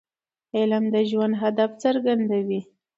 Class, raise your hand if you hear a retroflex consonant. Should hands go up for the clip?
no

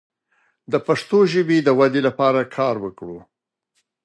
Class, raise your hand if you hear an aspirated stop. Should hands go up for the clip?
yes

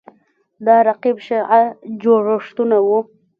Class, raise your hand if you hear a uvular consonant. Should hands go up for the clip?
yes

